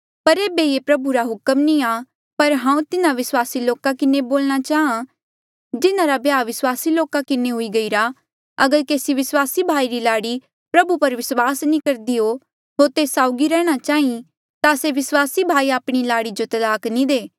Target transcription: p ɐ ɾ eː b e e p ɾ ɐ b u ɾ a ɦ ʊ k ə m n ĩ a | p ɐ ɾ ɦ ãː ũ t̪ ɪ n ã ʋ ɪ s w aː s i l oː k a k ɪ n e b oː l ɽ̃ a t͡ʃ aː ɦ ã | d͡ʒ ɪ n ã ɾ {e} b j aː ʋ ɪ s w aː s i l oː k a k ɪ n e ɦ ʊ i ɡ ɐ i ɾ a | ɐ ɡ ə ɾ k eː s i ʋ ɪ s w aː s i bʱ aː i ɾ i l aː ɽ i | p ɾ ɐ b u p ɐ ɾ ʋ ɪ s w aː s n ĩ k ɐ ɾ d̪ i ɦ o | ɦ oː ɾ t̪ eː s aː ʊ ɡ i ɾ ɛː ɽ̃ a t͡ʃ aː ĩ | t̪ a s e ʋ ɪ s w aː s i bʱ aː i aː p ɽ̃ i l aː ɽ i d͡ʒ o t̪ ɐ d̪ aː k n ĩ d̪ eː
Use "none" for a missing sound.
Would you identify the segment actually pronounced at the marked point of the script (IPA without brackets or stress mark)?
a